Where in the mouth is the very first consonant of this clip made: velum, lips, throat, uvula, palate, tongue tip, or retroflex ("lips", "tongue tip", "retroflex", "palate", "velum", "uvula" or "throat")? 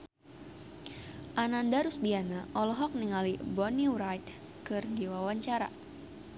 throat